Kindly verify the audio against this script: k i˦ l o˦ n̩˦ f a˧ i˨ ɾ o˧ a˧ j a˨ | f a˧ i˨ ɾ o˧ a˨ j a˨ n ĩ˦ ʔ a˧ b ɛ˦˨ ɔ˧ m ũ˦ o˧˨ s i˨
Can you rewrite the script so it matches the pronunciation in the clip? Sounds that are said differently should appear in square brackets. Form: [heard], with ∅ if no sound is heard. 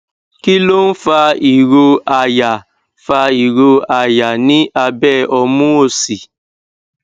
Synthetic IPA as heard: k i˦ l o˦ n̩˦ f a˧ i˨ ɾ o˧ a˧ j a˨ | f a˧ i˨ ɾ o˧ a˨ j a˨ n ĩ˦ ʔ a˧ b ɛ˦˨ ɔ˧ m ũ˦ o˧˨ s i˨